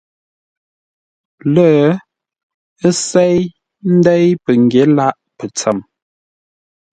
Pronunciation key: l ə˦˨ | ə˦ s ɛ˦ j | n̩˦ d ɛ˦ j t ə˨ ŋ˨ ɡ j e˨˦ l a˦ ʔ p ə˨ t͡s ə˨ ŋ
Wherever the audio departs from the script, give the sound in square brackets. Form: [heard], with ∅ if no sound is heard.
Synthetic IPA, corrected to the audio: l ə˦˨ | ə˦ s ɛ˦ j | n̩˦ d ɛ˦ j [p] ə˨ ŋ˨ ɡ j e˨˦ l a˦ ʔ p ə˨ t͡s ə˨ [m]